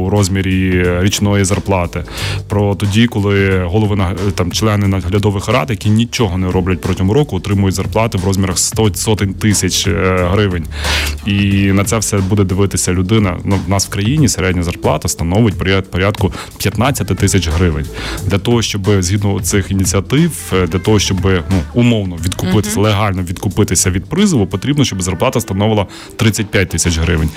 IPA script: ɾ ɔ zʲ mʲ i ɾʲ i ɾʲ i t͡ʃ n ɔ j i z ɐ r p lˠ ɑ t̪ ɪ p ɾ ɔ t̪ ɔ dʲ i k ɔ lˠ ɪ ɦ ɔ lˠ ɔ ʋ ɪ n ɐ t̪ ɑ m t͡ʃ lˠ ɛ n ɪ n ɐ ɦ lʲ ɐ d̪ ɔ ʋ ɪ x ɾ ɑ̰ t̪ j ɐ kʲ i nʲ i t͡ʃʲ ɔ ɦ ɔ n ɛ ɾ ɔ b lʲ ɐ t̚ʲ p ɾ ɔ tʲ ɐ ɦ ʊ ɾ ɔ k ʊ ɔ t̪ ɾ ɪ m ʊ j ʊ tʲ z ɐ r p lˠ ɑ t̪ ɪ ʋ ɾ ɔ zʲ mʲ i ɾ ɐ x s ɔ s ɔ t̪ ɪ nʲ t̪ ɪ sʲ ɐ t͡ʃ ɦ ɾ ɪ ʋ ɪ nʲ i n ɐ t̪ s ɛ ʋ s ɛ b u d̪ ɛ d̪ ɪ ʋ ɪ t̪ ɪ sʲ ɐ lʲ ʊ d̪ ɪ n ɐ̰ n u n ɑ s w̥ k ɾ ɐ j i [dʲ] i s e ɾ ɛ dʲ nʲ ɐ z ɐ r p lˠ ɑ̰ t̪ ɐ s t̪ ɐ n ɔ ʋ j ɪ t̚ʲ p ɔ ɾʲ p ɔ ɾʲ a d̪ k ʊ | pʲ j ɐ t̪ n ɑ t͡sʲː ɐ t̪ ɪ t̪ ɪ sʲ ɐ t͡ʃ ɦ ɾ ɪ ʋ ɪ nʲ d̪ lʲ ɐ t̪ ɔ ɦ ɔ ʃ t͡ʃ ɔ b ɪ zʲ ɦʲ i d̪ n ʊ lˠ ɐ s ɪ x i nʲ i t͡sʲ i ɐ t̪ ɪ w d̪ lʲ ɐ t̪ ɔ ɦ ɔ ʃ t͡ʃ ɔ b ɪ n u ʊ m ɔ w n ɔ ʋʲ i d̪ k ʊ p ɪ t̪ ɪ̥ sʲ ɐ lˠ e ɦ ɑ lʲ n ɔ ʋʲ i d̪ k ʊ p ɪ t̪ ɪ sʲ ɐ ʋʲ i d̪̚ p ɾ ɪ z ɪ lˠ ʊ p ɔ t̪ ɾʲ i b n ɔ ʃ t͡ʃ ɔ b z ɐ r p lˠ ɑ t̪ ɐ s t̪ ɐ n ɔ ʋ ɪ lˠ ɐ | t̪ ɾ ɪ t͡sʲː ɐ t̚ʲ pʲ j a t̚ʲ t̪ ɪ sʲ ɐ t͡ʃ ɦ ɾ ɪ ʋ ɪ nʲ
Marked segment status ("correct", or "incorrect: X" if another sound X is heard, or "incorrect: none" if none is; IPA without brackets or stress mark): incorrect: nʲ